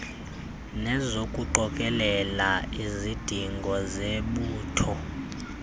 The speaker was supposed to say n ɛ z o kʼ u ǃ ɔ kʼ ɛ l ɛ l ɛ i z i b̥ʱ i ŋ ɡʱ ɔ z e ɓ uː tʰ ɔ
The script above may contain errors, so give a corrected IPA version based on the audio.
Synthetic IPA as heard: n ɛ z o kʼ u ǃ ɔ kʼ ɛ l ɛ l a i z i d̥ʱ i ŋ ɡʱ ɔ z e ɓ uː tʰ ɔ